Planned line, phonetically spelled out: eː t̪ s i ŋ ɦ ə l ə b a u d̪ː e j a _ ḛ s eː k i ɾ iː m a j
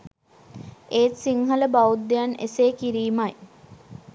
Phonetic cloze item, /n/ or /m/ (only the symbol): n